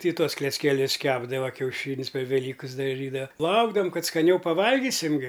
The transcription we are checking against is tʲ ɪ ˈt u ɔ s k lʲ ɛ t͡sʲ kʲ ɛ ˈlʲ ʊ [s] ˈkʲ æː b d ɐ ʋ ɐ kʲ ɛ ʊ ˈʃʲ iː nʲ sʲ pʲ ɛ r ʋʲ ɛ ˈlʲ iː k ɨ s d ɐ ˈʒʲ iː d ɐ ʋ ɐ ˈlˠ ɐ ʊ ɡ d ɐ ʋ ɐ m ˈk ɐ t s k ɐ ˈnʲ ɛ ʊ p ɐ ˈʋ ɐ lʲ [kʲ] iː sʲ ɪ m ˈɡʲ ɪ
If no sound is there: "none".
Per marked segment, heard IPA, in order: s, ɡʲ

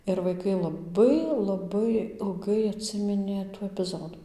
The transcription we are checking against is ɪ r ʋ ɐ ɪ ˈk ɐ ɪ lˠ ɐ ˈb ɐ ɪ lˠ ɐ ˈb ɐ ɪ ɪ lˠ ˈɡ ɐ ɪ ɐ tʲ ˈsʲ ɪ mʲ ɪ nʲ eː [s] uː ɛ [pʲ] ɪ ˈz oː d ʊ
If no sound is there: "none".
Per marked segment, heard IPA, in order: t, pʲ

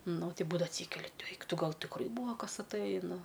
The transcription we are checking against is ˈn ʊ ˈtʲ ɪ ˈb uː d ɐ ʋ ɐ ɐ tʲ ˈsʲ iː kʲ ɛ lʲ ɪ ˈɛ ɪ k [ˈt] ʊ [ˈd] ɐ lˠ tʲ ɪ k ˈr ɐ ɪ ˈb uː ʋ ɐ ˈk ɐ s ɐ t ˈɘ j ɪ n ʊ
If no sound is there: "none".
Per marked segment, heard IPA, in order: t, ɡ

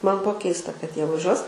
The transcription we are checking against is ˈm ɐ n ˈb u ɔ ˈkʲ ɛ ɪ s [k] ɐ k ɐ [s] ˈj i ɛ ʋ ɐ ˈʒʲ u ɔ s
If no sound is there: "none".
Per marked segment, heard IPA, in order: t, t

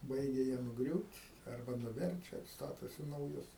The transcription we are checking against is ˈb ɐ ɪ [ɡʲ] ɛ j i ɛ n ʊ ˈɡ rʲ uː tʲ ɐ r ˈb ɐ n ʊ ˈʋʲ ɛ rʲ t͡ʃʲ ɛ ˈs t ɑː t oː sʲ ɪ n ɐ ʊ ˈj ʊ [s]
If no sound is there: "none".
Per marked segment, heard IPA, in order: ɡʲ, s

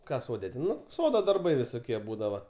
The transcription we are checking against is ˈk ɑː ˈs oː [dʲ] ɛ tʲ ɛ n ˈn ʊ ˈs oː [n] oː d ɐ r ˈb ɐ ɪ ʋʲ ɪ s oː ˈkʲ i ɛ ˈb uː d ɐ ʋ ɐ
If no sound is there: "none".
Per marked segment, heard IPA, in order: dʲ, d

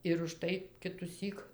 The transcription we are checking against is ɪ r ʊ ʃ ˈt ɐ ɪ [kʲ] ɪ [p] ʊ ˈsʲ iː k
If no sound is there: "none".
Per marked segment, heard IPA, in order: kʲ, t

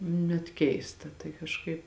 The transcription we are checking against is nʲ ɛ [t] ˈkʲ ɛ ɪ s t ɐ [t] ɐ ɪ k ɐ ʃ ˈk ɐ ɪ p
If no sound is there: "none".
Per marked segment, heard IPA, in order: t, t

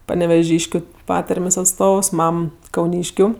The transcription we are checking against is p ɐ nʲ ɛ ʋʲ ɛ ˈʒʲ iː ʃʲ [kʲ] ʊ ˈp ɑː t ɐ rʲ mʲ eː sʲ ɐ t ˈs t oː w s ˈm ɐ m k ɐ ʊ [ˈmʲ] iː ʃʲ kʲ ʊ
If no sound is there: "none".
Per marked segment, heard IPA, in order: kʲ, nʲ

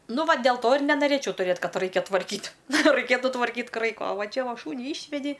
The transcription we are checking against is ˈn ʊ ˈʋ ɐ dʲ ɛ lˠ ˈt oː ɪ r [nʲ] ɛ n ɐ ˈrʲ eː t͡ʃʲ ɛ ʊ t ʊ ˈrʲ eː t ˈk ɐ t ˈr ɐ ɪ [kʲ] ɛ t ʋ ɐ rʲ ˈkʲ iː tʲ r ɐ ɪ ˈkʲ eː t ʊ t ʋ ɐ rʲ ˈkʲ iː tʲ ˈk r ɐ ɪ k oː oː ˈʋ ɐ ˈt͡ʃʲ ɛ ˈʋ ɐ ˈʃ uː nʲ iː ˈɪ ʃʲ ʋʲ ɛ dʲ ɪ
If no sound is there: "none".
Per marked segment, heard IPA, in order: nʲ, kʲ

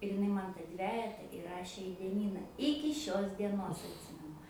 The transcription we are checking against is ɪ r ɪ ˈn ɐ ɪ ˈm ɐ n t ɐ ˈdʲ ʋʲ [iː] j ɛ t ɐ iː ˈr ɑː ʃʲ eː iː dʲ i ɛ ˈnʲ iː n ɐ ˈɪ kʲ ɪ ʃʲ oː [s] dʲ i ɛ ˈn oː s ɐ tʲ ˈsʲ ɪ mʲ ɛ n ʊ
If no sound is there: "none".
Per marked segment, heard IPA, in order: æː, s

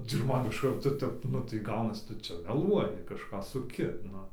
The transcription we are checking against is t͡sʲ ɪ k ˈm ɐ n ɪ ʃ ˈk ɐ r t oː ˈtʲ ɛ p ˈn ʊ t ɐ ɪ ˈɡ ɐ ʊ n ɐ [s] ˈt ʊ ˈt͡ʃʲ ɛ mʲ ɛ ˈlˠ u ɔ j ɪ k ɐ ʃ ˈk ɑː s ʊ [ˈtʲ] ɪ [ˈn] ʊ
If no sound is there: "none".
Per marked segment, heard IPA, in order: s, kʲ, n

